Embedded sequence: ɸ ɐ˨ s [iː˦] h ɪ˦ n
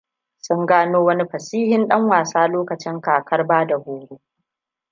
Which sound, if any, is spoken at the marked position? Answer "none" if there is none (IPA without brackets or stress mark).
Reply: iː˦